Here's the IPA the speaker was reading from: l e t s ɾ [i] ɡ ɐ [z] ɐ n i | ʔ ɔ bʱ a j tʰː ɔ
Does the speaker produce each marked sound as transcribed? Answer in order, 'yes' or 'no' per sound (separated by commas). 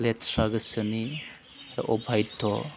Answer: no, no